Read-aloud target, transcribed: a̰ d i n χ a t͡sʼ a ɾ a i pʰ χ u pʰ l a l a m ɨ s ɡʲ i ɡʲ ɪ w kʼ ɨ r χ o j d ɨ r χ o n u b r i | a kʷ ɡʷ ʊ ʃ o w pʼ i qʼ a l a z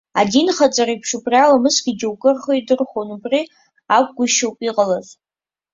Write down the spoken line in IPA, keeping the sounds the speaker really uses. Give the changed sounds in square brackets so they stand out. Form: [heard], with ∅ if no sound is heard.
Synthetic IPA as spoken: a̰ d i n χ a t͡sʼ a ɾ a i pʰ [ʂ] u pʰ [r] a l a m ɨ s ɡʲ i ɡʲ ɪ w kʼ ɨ r χ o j d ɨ r χ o n u b r i | a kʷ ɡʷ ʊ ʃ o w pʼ i qʼ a l a z